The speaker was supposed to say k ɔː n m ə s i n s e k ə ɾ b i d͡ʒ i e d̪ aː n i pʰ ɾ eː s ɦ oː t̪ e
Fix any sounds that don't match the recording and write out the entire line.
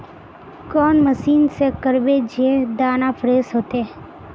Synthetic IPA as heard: k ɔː n m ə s iː n s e k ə ɾ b e d͡ʒ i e d̪ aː n a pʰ ɾ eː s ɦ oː t̪ e